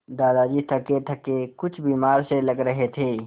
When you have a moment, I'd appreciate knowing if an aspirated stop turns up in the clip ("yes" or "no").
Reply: yes